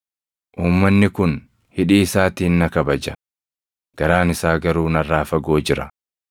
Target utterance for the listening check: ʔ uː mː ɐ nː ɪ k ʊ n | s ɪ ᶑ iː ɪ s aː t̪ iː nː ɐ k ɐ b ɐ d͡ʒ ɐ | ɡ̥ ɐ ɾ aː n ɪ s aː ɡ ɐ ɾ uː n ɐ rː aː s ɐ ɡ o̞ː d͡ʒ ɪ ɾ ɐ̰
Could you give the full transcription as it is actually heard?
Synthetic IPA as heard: ʔ uː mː ɐ nː ɪ k ʊ n | h ɪ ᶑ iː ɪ s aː t̪ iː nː ɐ k ɐ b ɐ d͡ʒ ɐ | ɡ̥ ɐ ɾ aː n ɪ s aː ɡ ɐ ɾ uː n ɐ rː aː f ɐ ɡ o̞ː d͡ʒ ɪ ɾ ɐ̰